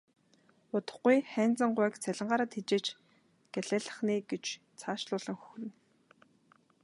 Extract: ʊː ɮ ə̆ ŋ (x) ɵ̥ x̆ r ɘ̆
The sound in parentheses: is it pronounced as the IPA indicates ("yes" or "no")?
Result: yes